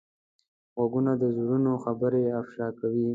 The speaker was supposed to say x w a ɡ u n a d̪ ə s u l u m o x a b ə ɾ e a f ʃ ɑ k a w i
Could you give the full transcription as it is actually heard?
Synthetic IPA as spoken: ɣ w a ɡ u n a d̪ ə z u ɾ u n o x a b ə ɾ e a f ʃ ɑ k a w i